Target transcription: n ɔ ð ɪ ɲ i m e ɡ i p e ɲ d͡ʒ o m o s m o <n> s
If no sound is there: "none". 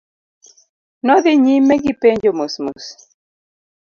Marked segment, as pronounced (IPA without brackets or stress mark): none